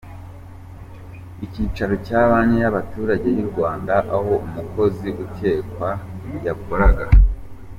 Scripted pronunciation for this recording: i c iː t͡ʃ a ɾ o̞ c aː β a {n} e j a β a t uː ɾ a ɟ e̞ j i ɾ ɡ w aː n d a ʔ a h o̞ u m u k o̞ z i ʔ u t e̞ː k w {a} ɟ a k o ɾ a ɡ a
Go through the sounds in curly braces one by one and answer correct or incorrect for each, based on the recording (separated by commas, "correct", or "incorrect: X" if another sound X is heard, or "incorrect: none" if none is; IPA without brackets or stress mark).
incorrect: ɲ, correct